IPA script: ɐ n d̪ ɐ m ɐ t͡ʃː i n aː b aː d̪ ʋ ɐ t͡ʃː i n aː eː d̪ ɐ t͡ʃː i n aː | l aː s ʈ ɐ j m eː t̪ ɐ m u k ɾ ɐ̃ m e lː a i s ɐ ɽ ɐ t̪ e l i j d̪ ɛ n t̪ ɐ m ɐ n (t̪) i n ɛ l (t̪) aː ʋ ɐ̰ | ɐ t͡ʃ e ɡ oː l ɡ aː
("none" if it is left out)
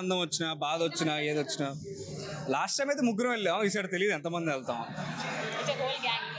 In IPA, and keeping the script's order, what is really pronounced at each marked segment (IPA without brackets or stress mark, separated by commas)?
d̪, t̪